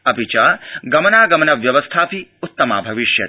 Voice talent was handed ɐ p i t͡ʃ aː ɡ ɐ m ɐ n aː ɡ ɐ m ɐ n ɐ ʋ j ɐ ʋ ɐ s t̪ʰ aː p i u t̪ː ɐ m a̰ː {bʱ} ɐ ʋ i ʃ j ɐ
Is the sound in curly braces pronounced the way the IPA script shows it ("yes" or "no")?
yes